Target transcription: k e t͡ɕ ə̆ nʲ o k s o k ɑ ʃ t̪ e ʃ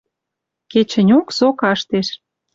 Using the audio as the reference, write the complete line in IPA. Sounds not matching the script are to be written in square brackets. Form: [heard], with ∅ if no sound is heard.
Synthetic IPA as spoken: k e t͡ɕ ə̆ nʲ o k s o k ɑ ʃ t̪ e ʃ